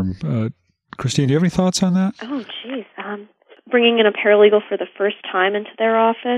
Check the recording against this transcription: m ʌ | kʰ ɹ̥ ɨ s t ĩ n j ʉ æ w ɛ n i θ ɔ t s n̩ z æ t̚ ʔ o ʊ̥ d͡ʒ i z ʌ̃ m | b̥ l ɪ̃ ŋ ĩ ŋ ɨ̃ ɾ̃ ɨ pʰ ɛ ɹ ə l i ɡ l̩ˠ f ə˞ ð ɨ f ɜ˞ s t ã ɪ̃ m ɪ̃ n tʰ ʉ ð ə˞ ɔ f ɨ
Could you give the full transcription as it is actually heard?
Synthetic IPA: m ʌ | kʰ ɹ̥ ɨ s t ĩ n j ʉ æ v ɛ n i θ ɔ t s n̩ ð æ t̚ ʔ o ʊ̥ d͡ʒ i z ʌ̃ m | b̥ ɹ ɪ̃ ŋ ɪ̃ ŋ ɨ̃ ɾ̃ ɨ pʰ ɛ ɹ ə l i ɡ l̩ˠ f ə˞ ð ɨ f ɜ˞ s tʰ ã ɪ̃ m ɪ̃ n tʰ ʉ ð ə˞ ɔ f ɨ